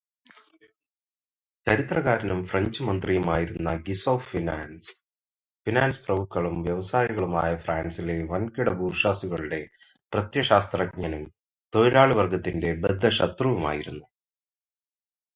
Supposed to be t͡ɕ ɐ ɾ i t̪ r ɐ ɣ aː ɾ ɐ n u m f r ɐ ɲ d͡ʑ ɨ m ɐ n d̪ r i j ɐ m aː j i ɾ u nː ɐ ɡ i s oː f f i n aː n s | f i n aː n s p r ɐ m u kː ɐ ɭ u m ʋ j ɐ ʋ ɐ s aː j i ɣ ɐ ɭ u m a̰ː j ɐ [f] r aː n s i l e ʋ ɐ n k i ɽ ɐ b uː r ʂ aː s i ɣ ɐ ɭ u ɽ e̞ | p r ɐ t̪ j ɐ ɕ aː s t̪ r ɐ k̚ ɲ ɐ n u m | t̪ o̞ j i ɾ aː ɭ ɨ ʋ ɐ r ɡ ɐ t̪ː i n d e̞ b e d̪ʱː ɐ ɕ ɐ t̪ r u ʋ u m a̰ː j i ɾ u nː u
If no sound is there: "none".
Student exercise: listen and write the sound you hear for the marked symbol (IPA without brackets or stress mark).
f